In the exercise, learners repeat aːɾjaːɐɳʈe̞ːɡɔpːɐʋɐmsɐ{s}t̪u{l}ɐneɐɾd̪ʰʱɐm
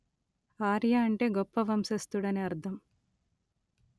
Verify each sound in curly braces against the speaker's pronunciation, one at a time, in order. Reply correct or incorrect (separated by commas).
correct, incorrect